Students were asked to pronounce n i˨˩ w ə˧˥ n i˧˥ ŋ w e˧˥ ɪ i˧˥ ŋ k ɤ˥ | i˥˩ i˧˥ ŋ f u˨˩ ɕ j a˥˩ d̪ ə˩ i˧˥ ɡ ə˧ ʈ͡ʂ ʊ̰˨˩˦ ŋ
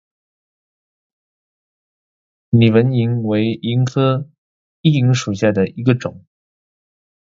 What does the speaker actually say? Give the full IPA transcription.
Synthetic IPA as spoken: n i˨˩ w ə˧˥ n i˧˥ ŋ w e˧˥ ɪ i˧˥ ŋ kʰ ɤ˥ | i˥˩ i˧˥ ŋ ʂ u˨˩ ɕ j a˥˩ d̪ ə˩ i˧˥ ɡ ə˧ ʈ͡ʂ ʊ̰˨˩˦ ŋ